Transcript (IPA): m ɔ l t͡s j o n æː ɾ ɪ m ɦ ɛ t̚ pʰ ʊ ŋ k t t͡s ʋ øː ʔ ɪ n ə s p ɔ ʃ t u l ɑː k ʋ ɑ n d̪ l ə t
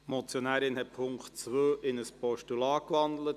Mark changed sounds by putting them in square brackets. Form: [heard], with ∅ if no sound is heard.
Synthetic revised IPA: m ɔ [∅] t͡s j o n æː ɾ ɪ [n] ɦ ɛ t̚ pʰ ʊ ŋ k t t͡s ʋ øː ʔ ɪ n ə s p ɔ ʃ t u l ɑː k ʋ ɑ n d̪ l ə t